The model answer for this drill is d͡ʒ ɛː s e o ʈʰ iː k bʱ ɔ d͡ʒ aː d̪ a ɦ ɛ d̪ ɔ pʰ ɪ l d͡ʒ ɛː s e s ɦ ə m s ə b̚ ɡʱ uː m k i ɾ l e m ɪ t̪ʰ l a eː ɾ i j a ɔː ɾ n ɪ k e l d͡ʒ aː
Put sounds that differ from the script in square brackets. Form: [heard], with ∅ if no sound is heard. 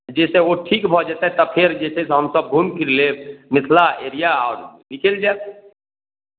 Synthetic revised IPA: d͡ʒ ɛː s e o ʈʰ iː k bʱ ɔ d͡ʒ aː [t̪] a ɦ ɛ [t̪] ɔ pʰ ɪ [ɾ] d͡ʒ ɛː s e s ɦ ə m s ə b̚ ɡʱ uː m k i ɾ l e m ɪ t̪ʰ l a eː ɾ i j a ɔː ɾ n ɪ k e l d͡ʒ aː

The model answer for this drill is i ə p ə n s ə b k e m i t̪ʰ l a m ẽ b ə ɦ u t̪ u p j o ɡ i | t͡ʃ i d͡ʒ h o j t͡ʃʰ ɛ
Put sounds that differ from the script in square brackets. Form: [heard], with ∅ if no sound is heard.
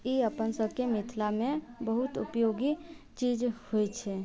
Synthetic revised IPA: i ə p ə n s ə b k e m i t̪ʰ l a m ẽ b ə ɦ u t̪ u p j o ɡ i | t͡ʃ i d͡ʒ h o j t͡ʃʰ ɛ

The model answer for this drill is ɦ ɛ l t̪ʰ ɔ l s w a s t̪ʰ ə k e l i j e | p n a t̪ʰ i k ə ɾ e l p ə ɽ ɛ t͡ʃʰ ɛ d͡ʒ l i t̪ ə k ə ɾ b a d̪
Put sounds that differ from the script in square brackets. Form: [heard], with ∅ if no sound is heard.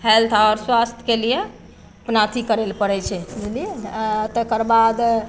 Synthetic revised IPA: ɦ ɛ l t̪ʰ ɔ [ɾ] s w a s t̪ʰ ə k e l i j e | p n a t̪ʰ i k ə ɾ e l p ə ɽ ɛ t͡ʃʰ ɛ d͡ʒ l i t̪ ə k ə ɾ b a d̪

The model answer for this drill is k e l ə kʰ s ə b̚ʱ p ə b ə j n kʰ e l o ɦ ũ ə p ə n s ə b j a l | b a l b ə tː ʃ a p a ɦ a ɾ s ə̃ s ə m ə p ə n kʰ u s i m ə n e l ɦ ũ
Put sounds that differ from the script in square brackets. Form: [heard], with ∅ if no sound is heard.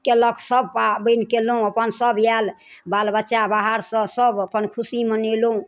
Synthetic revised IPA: k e l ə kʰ s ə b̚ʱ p [a] b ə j n [k] e l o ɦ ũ ə p ə n s ə b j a l | b a l b ə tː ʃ a [b] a ɦ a ɾ s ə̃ s ə [b] ə p ə n kʰ u s i m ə n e l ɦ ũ

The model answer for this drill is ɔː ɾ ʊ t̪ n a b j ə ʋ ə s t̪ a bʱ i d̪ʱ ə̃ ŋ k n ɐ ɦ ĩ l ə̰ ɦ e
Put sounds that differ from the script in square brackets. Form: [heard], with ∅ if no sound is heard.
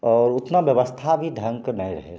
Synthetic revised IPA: ɔː ɾ ʊ t̪ n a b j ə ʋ ə s [t̪ʰ] a bʱ i d̪ʱ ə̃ ŋ k n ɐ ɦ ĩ [ɾ] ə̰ ɦ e

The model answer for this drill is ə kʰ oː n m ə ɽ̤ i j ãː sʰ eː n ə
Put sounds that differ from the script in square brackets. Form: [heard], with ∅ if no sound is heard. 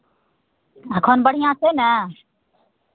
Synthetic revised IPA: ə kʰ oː n [b] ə ɽ̤ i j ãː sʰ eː n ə

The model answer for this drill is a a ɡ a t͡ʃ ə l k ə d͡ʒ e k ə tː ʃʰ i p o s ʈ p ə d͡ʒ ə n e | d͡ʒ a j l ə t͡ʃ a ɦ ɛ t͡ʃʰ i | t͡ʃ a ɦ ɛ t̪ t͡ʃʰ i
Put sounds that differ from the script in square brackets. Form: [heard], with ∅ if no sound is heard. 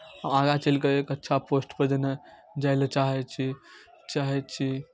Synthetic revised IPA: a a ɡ a t͡ʃ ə l k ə [∅] e k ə tː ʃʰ [a] p o s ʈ p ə d͡ʒ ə n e | d͡ʒ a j l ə t͡ʃ a ɦ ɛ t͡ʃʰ i | t͡ʃ a ɦ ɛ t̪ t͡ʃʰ i

